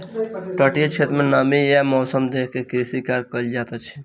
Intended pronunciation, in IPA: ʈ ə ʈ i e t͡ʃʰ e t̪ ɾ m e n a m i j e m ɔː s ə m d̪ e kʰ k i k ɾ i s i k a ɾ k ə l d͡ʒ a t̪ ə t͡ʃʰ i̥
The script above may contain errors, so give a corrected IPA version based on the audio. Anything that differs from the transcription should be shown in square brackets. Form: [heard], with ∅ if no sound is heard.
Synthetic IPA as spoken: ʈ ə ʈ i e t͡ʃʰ e t̪ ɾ m e n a m i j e m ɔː s ə m d̪ e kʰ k [e] k ɾ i s i k a ɾ k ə l d͡ʒ a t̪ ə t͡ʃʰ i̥